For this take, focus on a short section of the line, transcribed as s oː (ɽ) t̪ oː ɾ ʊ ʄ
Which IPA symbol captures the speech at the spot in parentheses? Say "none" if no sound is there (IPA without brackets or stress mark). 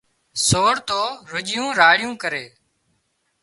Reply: ɽ